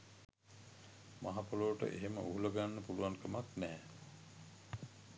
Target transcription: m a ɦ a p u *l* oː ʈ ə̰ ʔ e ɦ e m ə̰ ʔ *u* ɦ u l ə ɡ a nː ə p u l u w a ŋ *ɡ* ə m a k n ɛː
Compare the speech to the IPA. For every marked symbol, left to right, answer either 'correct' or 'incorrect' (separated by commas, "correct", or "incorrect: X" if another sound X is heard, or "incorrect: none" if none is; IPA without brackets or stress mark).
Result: correct, correct, incorrect: k